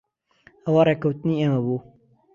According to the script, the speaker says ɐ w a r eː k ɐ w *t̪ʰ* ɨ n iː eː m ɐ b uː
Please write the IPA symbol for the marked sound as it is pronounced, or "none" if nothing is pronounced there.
t̪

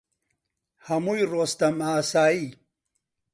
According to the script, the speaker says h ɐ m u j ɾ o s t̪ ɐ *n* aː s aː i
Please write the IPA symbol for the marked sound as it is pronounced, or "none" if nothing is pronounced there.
m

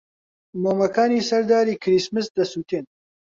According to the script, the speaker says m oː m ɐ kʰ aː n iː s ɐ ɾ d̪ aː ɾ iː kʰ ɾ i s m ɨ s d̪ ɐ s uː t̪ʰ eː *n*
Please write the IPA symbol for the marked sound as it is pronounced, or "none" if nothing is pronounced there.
n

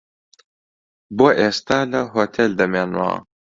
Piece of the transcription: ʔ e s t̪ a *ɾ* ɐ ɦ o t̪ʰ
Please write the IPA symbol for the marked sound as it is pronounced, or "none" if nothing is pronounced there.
l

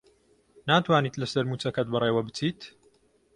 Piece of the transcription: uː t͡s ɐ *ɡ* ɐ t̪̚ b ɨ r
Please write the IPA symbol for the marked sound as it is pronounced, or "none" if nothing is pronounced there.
k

